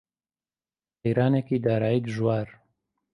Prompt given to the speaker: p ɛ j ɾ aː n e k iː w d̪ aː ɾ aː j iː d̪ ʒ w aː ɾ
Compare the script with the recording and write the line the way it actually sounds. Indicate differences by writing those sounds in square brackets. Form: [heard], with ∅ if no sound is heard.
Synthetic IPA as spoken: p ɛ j ɾ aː n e k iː [∅] d̪ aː ɾ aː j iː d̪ ʒ w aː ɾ